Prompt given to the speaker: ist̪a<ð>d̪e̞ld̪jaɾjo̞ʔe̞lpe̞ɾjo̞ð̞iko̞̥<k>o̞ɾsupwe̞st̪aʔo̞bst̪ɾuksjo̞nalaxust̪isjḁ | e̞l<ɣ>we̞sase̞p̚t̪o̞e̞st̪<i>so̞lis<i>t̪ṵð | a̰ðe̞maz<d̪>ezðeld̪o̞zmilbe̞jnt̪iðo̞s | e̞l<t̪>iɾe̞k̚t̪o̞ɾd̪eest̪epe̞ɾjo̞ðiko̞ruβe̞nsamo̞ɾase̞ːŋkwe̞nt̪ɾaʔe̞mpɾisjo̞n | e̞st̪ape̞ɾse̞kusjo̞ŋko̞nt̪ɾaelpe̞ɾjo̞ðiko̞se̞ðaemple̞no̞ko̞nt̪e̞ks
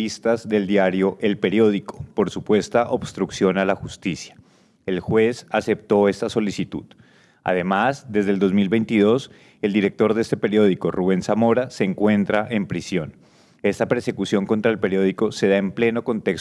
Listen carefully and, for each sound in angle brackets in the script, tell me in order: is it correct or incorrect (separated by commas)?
incorrect, incorrect, incorrect, incorrect, correct, correct, incorrect